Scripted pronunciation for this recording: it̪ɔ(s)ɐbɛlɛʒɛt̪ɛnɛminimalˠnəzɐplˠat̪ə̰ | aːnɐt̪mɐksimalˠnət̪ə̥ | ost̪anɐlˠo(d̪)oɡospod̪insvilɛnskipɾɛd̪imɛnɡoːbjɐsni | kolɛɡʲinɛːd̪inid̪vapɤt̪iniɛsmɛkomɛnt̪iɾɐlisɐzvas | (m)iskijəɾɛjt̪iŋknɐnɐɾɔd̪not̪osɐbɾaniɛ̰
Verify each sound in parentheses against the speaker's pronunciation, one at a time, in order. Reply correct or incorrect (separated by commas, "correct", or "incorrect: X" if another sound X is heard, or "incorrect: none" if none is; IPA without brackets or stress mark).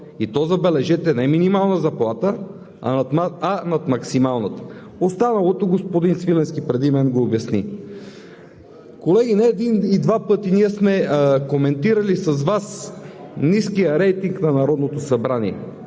incorrect: z, incorrect: t̪, incorrect: n